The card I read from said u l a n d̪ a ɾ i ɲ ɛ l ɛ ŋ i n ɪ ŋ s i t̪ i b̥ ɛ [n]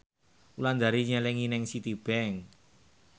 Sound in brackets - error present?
yes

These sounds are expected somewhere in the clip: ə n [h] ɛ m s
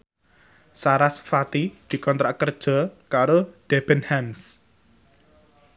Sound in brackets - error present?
no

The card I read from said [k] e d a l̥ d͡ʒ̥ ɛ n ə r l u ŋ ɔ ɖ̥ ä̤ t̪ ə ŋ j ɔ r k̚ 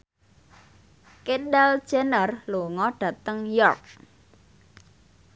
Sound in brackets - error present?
no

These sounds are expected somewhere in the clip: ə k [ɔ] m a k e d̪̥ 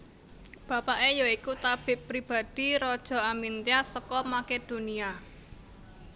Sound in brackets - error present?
no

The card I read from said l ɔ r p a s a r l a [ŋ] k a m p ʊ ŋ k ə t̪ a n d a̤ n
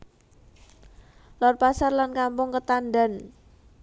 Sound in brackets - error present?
yes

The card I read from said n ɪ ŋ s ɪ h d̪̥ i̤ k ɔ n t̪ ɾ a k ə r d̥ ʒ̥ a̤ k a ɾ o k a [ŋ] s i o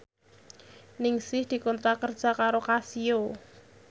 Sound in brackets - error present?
yes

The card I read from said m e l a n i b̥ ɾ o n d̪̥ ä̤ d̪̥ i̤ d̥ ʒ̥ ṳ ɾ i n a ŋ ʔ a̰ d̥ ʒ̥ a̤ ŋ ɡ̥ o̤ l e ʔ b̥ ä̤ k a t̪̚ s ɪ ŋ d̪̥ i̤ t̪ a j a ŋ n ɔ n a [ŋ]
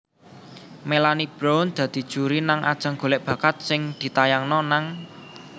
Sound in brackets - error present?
no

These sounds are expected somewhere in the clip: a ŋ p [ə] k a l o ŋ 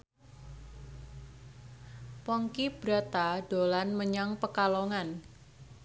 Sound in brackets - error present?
no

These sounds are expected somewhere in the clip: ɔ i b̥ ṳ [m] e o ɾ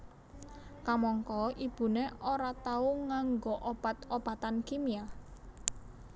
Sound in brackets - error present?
yes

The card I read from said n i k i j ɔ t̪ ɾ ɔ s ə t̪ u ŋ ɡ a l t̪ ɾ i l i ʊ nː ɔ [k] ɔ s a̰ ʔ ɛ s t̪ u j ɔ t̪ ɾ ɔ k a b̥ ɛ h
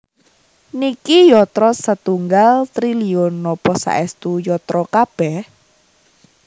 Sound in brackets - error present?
yes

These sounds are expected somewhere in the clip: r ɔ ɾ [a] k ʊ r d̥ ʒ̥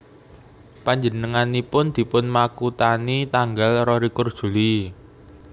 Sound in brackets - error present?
yes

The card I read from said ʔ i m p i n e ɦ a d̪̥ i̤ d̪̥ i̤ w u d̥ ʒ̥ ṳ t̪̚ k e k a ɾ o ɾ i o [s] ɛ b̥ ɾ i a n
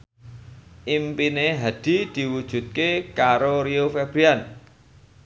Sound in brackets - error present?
yes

